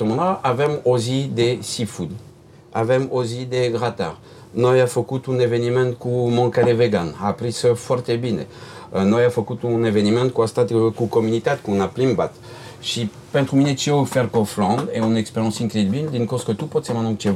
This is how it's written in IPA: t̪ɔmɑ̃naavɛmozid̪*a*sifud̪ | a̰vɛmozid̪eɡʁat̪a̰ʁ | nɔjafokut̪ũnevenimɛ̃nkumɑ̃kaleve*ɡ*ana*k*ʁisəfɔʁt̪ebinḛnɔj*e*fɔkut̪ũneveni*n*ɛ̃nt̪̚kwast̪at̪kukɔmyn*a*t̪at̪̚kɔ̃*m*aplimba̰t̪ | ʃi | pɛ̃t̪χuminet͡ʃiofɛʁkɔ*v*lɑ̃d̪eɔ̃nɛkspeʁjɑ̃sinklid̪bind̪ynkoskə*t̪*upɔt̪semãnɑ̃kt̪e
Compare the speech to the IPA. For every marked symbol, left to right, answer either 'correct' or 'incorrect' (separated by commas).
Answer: incorrect, correct, incorrect, incorrect, incorrect, incorrect, incorrect, incorrect, correct